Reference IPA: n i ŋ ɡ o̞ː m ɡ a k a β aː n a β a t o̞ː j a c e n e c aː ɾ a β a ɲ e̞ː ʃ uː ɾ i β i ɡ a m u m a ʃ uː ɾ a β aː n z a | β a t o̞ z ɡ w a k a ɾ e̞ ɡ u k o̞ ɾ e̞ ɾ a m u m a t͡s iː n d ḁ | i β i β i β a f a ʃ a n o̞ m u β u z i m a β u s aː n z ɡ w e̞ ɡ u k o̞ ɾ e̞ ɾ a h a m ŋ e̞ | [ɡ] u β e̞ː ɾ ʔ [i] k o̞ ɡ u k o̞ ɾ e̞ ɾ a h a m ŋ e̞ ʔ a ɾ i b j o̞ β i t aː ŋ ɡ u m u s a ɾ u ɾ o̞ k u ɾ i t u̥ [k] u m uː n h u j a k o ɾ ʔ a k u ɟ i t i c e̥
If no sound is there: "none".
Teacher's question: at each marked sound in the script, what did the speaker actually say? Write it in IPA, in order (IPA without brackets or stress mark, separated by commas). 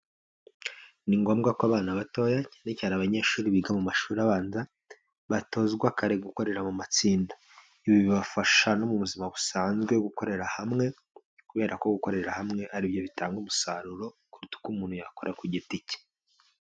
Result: k, a, k